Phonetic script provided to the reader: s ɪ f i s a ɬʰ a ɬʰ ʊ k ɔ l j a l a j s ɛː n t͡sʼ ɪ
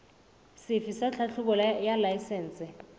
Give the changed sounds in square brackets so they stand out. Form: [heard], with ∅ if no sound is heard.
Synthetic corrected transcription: s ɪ f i s a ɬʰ a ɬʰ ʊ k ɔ l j a l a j s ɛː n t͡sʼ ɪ

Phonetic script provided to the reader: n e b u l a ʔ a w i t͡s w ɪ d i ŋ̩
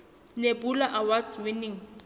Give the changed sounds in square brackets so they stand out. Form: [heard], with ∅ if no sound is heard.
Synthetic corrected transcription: n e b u l a ʔ a w [a] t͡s w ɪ [n] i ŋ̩

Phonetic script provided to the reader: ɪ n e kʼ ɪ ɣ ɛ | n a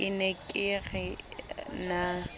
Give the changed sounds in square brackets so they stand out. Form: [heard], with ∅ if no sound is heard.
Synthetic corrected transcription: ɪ n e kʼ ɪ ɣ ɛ | n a

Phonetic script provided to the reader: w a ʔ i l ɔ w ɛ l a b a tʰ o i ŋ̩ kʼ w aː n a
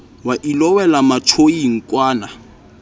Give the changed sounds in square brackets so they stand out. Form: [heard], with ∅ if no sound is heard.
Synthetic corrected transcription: w a ʔ i l ɔ w ɛ l a [m] a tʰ o i ŋ̩ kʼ w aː n a

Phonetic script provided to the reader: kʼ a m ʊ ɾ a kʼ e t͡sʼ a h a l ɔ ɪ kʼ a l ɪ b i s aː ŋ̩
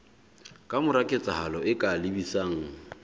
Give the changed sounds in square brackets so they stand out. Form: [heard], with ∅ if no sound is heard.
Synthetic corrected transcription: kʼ a m ʊ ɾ a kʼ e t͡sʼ a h a l ɔ ɪ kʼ a l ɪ b i s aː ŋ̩

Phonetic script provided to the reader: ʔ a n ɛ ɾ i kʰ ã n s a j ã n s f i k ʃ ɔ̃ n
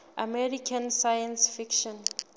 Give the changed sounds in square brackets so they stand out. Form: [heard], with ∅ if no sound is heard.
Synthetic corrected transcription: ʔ a [m] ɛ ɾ i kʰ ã n s a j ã n s f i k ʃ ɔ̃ n

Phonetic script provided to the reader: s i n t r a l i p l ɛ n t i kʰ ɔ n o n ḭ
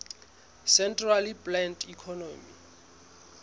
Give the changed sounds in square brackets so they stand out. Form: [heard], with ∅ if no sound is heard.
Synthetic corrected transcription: s [ɛ] n t r a l i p l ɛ n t i kʰ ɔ n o [m] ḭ

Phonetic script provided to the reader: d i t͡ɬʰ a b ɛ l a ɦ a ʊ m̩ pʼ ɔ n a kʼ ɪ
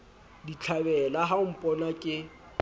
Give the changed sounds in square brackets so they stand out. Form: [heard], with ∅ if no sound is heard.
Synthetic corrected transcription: d i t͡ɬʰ a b ɛ l a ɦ a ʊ m̩ pʼ ɔ n a kʼ ɪ

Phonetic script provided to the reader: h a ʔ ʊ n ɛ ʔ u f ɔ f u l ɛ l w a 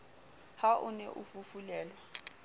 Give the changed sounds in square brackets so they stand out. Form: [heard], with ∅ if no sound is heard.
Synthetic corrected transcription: h a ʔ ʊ n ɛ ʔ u f [u] f u l [ɛː] l w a

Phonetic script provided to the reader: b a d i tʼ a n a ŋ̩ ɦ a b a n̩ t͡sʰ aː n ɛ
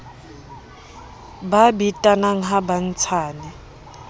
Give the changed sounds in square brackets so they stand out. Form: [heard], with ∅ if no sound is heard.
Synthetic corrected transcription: b a [b] i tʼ a n a ŋ̩ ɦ a b a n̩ t͡sʰ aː n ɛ

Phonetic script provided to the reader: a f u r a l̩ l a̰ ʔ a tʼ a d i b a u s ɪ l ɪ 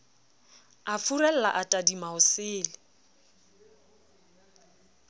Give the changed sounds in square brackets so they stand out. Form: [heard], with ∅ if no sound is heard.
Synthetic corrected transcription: a f u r [ɛ] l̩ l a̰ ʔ a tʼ a d i [m] a [ʊ] s [ɪː] l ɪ

